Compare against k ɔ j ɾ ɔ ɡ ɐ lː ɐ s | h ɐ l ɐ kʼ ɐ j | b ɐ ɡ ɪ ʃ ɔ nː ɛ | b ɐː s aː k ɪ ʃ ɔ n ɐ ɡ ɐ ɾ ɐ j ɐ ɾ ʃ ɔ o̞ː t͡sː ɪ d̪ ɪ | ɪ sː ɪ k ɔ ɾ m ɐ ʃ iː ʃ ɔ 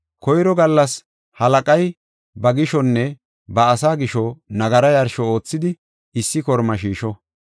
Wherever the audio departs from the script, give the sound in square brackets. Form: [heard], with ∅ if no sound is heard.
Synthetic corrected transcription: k ɔ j ɾ ɔ ɡ ɐ lː ɐ s | h ɐ l ɐ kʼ ɐ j | b ɐ ɡ ɪ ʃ ɔ nː ɛ | b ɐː s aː [ɡ] ɪ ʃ ɔ n ɐ ɡ ɐ ɾ ɐ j ɐ ɾ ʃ ɔ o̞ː t͡sː ɪ d̪ ɪ | ɪ sː ɪ k ɔ ɾ m ɐ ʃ iː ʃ ɔ